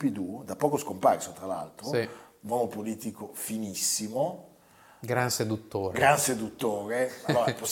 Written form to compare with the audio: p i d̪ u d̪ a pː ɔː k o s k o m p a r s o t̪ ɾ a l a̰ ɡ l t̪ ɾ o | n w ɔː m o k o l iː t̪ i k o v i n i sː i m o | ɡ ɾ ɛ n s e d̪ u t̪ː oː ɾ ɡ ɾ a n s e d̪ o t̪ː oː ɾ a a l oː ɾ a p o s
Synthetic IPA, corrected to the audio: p i d̪ u d̪ a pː ɔː k o s k o m p a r s o t̪ ɾ a l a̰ l t̪ ɾ o | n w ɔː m o p o l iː t̪ i k o f i n i sː i m o | ɡ ɾ a n s e d̪ u t̪ː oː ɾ ɡ ɾ a n s e d̪ u t̪ː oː ɾ e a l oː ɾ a p o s